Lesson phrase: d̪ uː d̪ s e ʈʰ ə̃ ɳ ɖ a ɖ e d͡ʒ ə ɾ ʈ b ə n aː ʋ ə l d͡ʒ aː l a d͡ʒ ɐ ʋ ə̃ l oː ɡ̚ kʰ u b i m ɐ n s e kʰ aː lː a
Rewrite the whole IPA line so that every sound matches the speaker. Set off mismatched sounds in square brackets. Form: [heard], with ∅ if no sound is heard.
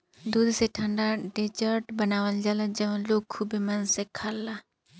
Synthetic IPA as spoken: d̪ uː d̪ s e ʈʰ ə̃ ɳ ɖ a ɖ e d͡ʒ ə ɾ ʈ b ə n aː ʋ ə l d͡ʒ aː l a d͡ʒ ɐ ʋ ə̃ l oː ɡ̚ kʰ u b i m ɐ n s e kʰ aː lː a